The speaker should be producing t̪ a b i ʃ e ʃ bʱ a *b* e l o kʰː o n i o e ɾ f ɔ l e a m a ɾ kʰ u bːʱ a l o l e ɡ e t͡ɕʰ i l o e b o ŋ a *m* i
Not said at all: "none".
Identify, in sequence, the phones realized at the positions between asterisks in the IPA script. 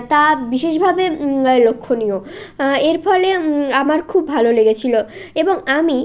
b, m

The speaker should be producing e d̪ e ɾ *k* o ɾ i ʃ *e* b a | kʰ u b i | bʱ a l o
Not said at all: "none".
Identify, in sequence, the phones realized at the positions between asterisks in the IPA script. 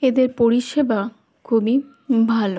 p, e

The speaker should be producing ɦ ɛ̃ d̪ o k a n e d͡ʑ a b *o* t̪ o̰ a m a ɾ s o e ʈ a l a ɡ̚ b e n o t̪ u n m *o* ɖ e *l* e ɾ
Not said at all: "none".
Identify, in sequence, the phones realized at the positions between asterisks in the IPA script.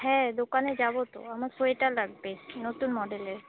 o, ɔ, l

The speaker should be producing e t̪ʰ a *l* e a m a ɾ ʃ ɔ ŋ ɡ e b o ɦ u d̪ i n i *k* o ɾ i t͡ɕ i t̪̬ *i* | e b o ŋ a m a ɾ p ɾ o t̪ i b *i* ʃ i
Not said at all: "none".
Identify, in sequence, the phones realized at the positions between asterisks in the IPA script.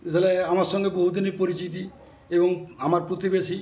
l, p, i, e

